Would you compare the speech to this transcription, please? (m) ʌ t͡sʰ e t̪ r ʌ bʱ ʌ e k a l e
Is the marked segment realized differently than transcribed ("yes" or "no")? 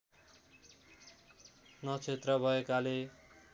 yes